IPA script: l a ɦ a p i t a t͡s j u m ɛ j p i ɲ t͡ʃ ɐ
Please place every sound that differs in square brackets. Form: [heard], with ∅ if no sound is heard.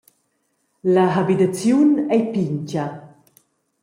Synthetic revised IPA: l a ɦ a [b] i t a t͡s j u [n] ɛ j p i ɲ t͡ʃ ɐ

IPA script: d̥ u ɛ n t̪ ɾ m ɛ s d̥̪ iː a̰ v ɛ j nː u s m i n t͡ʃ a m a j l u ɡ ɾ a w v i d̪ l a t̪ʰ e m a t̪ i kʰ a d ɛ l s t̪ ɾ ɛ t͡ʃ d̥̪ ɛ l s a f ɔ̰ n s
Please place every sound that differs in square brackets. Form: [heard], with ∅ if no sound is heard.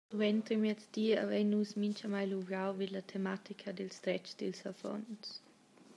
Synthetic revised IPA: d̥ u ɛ n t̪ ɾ m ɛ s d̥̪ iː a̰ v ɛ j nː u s m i n t͡ʃ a m a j l u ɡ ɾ a w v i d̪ l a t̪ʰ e m a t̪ i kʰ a d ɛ l s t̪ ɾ ɛ t͡ʃ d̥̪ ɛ l s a f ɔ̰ n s

